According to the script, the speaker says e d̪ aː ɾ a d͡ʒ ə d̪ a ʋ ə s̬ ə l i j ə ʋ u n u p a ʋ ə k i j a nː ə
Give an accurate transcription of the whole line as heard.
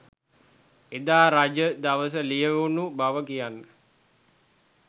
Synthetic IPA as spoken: e d̪ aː ɾ a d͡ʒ ə d̪ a ʋ ə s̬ ə l i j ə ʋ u n u b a ʋ ə k i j a nː ə